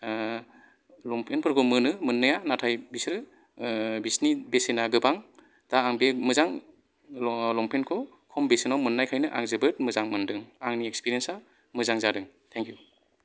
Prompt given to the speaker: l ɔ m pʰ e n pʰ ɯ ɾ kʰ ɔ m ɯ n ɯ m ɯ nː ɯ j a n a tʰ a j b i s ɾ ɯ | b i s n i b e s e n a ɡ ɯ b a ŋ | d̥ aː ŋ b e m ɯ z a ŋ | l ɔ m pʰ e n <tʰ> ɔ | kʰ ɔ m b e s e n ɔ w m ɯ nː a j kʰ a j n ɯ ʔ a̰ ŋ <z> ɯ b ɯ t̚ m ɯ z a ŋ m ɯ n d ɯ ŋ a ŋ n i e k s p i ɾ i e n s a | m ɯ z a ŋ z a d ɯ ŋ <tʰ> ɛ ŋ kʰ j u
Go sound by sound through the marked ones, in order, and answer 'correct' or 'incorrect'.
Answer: incorrect: kʰ, correct, correct

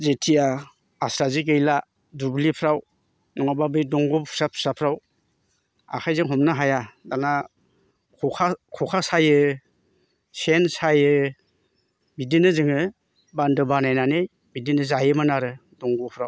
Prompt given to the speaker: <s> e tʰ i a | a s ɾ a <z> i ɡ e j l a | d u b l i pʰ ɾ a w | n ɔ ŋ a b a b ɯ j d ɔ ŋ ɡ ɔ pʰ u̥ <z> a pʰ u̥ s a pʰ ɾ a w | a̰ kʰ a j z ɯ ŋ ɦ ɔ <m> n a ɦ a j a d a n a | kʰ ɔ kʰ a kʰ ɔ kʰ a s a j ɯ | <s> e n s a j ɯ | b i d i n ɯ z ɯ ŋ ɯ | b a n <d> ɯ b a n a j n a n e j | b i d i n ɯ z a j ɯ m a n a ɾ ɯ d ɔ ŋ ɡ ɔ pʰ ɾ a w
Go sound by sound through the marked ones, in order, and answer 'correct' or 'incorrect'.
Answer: incorrect: z, correct, incorrect: s, correct, correct, correct

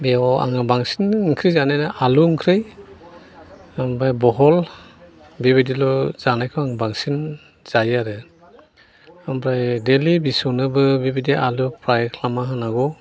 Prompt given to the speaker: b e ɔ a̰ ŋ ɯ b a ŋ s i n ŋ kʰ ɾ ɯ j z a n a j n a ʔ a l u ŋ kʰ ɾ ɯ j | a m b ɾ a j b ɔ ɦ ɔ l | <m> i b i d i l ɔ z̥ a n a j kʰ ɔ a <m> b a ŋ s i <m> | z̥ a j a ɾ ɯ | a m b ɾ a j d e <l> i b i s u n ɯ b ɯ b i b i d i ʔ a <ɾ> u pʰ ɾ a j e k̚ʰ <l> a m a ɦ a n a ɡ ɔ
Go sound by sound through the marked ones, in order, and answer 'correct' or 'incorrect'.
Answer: incorrect: b, incorrect: ŋ, incorrect: n, correct, incorrect: l, correct

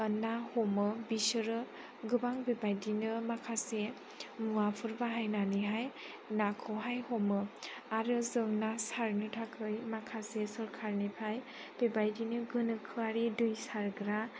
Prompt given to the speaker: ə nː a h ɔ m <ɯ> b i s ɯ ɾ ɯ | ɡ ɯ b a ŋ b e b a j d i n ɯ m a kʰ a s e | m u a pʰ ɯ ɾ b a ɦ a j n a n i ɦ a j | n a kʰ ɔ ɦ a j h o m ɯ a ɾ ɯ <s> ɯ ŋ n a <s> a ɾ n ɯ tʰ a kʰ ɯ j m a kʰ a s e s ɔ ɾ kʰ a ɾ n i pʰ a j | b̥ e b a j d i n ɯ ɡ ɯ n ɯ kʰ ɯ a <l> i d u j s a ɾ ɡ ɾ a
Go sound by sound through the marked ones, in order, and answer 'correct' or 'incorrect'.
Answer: correct, incorrect: z, correct, incorrect: ɾ

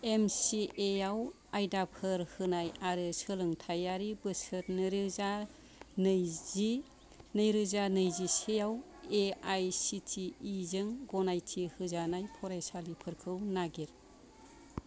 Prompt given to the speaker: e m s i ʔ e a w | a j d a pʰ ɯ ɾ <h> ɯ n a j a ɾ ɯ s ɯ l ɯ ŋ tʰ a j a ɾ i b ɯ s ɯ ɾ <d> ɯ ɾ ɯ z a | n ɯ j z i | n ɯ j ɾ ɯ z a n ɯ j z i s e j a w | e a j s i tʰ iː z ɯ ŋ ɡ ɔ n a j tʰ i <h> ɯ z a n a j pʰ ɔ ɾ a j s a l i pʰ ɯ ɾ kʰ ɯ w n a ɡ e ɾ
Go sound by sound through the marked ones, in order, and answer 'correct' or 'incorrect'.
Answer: correct, incorrect: n, correct

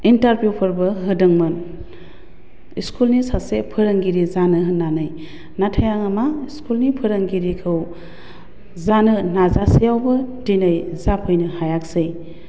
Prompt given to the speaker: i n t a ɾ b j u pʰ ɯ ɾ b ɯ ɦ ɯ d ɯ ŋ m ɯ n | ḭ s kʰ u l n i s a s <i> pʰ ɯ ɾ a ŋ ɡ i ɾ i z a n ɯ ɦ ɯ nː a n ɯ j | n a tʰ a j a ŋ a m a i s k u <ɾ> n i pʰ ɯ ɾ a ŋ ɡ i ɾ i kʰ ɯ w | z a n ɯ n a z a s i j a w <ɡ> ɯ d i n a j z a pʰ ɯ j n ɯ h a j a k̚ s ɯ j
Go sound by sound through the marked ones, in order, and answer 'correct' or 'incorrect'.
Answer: incorrect: e, incorrect: l, incorrect: b

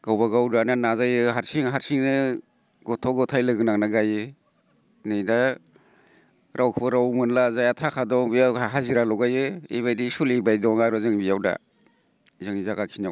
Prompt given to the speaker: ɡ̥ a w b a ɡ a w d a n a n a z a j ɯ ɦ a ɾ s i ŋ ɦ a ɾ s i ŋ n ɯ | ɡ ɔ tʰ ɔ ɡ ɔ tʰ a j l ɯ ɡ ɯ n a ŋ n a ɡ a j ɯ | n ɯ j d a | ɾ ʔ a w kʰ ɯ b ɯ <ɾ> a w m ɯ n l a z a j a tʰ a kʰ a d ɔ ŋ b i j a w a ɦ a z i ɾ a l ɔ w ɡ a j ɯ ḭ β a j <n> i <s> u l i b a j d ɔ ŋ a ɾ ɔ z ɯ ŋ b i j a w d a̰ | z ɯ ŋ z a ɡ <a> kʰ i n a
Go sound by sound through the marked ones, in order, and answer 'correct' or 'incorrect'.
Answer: correct, incorrect: d, correct, correct

